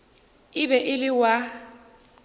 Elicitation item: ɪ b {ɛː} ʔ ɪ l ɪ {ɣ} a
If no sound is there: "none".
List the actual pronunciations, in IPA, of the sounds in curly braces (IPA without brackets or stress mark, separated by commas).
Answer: ɛ, w